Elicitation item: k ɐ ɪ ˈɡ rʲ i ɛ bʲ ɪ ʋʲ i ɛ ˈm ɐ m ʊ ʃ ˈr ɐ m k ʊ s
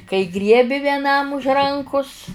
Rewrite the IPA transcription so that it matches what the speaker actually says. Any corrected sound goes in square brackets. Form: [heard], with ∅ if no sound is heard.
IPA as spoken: k ɐ ɪ ˈɡ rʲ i ɛ bʲ ɪ ʋʲ i ɛ [ˈn] ɐ m ʊ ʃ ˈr ɐ [ŋ] k ʊ s